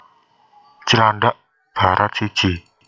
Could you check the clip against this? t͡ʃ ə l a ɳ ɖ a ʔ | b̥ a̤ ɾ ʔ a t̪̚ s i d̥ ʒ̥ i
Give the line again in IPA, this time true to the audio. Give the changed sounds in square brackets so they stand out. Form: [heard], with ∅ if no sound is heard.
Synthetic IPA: t͡ʃ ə l a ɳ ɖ a ʔ | b̥ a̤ ɾ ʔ a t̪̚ s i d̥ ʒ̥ i